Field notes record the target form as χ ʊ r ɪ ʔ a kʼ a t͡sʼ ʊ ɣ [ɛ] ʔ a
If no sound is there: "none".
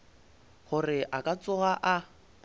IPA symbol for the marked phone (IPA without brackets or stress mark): a